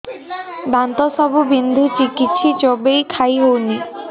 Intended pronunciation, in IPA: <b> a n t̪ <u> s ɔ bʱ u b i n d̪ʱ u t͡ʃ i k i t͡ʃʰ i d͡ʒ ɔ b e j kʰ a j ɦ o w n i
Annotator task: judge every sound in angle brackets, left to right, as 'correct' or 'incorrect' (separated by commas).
correct, incorrect